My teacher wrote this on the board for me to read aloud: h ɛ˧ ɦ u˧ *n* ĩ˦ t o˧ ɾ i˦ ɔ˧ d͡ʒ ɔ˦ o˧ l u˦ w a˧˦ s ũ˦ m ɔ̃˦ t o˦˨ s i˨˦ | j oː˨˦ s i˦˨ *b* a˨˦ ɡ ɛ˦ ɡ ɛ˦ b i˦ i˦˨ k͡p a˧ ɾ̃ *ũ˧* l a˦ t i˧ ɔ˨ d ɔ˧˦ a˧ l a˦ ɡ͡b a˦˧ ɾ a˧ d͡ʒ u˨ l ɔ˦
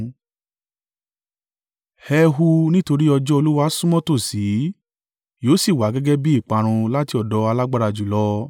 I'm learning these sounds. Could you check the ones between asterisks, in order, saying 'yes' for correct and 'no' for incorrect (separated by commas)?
yes, no, yes